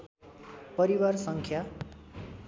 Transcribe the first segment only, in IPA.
p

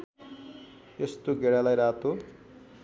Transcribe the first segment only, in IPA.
e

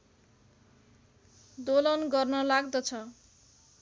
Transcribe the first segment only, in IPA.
d̪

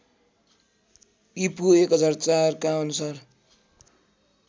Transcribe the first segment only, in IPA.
i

